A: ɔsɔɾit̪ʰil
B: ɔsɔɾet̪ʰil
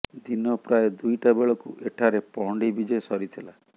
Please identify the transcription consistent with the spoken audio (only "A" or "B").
A